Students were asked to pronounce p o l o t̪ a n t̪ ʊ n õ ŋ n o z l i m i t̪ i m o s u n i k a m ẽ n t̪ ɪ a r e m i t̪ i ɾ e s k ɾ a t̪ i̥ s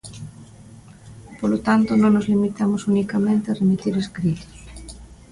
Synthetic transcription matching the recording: p o l o t̪ a n t̪ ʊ n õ ŋ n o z l i m i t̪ a m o s u n i k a m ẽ n t̪ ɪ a r e m i t̪ i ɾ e s k ɾ i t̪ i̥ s